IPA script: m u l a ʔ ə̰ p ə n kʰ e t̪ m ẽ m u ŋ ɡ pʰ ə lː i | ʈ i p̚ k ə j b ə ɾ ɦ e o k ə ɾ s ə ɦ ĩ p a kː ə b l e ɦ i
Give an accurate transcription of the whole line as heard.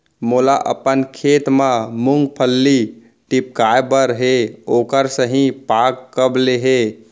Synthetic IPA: m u l a ʔ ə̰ p ə n kʰ e t̪ m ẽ m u ŋ ɡ pʰ ə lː i | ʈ i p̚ k a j b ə ɾ ɦ e o k ə ɾ s ə ɦ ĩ p a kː ə b l e ɦ e

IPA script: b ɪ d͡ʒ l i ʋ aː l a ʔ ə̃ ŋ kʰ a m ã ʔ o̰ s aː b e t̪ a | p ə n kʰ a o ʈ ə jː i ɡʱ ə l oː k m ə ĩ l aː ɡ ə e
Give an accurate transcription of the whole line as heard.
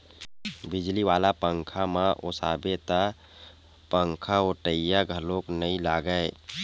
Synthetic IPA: b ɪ d͡ʒ l i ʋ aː l a p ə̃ ŋ kʰ a m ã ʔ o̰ s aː b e t̪ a | p ə ŋ kʰ a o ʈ ə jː a ɡʱ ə l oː k n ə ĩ l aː ɡ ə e

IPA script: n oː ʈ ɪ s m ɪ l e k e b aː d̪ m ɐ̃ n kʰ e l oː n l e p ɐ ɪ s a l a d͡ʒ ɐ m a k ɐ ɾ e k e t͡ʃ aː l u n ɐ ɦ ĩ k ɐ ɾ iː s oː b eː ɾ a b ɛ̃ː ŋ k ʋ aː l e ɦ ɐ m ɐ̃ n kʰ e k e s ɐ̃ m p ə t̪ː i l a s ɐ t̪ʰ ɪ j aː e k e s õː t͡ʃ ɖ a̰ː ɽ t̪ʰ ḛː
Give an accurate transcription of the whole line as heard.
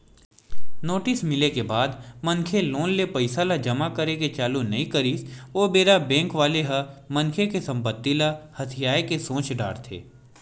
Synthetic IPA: n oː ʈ ɪ s m ɪ l e k e b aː d̪ m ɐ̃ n kʰ e l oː n l e p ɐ ɪ s a l a d͡ʒ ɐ m a k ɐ ɾ e k e t͡ʃ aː l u n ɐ ɦ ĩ k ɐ ɾ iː s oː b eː ɾ a b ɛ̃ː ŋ k ʋ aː l e ɦ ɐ m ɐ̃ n kʰ e k e s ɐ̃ m p ə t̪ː i l a h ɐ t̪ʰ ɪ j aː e k e s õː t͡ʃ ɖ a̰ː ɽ t̪ʰ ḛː

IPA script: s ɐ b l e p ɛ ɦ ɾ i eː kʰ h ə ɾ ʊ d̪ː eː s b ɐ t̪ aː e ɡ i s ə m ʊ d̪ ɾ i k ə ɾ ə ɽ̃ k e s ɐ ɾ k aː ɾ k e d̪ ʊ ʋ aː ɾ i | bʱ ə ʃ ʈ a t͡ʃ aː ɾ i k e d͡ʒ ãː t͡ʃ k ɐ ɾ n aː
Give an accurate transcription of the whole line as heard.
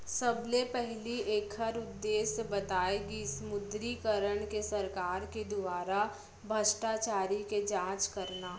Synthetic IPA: s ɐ b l e p ɛ ɦ l i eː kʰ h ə ɾ ʊ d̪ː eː s b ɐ t̪ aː e ɡ i s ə m ʊ d̪ ɾ i k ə ɾ ə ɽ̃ k e s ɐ ɾ k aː ɾ k e d̪ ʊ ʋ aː ɾ a | bʱ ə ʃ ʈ a t͡ʃ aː ɾ i k e d͡ʒ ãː t͡ʃ k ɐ ɾ n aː

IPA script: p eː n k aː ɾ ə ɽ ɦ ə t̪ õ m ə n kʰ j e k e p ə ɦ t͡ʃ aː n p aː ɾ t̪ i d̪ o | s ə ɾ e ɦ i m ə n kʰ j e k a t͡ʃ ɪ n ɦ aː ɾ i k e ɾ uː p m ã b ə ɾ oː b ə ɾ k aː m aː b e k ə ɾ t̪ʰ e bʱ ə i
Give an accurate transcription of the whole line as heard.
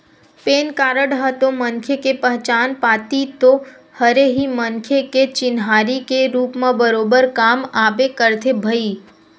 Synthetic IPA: p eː n k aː ɾ ə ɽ ɦ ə t̪ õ m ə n kʰ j e k e p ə ɦ t͡ʃ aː n p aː t̪ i t̪ o | h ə ɾ e ɦ i m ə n kʰ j e k e t͡ʃ ɪ n ɦ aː ɾ i k e ɾ uː p m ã b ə ɾ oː b ə ɾ k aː m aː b e k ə ɾ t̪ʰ e bʱ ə i

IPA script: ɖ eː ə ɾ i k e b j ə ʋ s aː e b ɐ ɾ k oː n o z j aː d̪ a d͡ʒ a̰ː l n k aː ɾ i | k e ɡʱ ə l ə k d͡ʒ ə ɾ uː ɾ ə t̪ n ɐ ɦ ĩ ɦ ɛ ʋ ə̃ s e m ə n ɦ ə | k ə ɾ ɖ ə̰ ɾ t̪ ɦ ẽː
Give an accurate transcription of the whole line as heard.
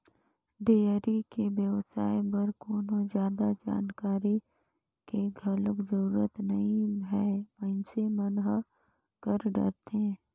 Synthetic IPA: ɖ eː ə ɾ i k e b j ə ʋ s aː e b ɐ ɾ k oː n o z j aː d̪ a d͡ʒ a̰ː n k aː ɾ i | k e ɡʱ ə l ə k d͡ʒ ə ɾ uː ɾ ə t̪ n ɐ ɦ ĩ ɦ ɛ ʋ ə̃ s e m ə n ɦ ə | k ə ɾ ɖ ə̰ ɾ t̪ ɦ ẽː

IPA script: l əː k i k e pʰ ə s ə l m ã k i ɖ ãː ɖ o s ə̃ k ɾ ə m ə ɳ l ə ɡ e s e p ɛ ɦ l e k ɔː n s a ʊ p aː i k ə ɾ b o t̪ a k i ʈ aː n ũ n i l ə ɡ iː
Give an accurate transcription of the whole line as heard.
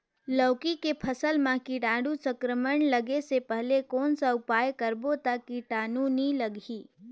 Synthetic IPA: l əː k i k e pʰ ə s ə l m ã k i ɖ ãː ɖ u s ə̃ k ɾ ə m ə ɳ l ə ɡ e s e p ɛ ɦ l e k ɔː n s a ʊ p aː j k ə ɾ b o t̪ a k i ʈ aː n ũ n i l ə ɡ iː

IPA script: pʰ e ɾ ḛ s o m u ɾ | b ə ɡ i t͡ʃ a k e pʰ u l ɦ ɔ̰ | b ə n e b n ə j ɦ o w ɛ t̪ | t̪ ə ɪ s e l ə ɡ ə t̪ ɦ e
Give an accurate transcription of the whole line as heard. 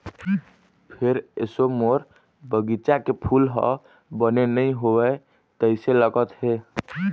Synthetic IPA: pʰ e ɾ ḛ s o m o ɾ | b ə ɡ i t͡ʃ a k e pʰ u l ɦ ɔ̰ | b ə n e n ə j ɦ o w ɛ | t̪ ə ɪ s e l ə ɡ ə t̪ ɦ e

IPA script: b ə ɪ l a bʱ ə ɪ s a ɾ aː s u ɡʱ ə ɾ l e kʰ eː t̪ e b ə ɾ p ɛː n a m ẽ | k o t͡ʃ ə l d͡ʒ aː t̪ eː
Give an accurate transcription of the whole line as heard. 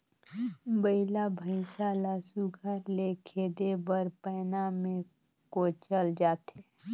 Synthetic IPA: b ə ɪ l a bʱ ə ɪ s a l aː s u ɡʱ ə ɾ l e kʰ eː d̪ e b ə ɾ p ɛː n a m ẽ | k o t͡ʃ ə l d͡ʒ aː t̪ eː

